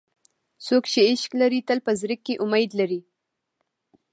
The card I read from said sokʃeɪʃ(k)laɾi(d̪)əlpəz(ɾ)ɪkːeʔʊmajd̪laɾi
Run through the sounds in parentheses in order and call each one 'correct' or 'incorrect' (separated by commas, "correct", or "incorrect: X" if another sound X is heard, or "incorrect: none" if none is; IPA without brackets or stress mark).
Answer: correct, incorrect: t̪, correct